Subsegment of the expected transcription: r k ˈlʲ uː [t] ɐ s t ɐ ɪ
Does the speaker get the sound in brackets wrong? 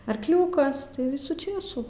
yes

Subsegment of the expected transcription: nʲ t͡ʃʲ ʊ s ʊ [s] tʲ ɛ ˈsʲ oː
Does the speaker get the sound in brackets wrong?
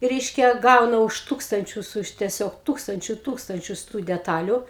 yes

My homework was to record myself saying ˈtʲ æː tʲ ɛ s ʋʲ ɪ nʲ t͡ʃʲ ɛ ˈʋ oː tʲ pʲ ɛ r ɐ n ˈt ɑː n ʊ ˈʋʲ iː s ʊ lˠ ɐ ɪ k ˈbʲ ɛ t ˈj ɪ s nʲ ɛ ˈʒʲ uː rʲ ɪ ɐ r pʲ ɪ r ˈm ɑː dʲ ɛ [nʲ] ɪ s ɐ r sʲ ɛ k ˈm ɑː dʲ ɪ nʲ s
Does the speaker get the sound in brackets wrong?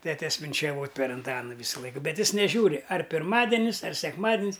no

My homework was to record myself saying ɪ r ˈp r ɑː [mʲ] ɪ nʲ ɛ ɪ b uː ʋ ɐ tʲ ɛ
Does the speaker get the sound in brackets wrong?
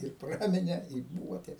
no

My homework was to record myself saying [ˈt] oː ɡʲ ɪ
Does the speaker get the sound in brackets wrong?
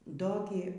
yes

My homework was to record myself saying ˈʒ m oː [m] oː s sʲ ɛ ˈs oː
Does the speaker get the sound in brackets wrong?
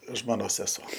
yes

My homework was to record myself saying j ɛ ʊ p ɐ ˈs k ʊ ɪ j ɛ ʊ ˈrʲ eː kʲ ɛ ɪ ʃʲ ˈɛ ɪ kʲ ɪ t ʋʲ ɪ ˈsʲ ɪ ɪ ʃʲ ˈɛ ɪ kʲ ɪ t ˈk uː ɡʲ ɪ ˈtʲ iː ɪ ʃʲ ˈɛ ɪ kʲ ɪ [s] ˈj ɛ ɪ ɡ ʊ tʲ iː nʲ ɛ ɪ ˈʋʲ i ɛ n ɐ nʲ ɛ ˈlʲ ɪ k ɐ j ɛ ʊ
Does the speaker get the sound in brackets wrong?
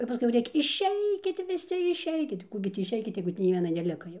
yes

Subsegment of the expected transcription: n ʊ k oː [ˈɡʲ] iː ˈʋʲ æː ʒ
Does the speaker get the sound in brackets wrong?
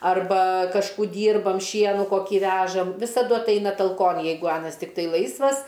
yes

